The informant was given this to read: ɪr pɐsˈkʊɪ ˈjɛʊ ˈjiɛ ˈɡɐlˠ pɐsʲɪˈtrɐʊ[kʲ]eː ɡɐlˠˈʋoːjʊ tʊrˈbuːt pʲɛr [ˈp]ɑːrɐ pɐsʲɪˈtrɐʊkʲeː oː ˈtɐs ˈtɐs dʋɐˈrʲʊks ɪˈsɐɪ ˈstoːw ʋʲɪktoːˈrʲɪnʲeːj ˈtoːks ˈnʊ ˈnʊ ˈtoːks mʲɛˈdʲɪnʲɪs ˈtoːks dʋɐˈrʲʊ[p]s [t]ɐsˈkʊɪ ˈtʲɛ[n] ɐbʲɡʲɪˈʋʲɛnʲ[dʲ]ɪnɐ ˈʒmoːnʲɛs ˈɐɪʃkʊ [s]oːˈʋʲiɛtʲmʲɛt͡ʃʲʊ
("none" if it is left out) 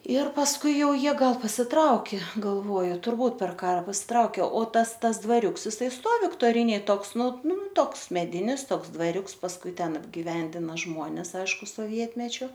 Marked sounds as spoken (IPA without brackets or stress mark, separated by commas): kʲ, k, k, p, n, dʲ, s